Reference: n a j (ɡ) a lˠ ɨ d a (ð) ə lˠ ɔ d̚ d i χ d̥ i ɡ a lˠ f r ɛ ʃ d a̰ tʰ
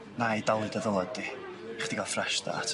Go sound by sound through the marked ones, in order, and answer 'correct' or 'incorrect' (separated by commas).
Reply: incorrect, correct